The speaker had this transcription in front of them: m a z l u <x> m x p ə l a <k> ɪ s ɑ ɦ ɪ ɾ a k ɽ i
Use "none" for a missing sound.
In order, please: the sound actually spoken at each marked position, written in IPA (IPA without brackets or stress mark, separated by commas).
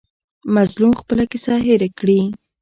none, k